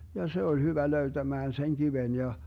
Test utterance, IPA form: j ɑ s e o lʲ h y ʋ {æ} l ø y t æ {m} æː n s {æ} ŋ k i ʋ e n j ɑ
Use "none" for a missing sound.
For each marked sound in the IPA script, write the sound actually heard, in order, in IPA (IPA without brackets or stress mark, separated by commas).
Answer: æ, m, e